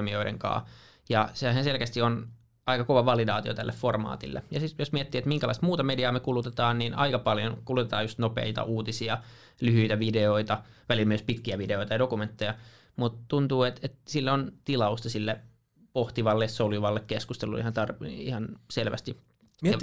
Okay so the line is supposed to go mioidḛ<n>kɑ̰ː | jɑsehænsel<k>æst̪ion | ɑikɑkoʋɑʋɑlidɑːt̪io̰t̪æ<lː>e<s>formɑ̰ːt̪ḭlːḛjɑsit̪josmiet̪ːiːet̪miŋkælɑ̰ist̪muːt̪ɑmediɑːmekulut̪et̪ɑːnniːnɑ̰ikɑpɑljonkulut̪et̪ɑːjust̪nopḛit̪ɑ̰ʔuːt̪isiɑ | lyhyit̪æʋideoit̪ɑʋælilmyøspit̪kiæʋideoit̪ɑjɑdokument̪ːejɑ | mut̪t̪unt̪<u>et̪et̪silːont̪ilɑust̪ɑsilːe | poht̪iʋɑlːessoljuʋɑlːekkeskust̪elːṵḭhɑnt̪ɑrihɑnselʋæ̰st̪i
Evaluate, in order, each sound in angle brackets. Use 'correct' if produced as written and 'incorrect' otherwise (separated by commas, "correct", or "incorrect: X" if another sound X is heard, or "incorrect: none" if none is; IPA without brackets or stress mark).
incorrect: ŋ, correct, correct, incorrect: f, incorrect: uː